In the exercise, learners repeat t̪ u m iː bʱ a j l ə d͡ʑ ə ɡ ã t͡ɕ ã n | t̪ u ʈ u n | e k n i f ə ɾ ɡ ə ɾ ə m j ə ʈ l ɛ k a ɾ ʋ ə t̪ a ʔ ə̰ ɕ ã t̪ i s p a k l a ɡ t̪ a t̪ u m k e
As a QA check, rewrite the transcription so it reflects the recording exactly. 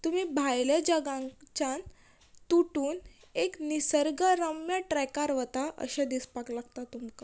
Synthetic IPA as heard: t̪ u m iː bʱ a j l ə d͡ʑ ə ɡ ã t͡ɕ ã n | t̪ u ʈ uː n | e k n i s ə ɾ ɡ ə ɾ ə m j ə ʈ ɾ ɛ k a ɾ ʋ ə t̪ a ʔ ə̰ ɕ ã d̪ i s p a k l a ɡ t̪ a t̪ u m k a